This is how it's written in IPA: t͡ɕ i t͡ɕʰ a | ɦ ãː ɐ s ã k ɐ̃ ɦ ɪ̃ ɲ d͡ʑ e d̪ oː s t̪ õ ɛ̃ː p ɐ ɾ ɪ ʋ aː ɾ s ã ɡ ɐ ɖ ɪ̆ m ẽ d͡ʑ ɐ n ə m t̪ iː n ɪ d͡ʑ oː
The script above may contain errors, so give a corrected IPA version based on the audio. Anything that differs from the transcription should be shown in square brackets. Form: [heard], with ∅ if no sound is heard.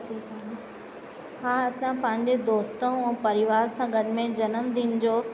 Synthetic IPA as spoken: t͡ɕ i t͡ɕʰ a | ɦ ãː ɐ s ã [p] ɐ̃ ɦ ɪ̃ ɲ d͡ʑ e d̪ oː s t̪ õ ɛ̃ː p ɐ ɾ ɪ ʋ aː ɾ s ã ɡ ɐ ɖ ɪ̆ m ẽ d͡ʑ ɐ n ə m [d̪] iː n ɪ d͡ʑ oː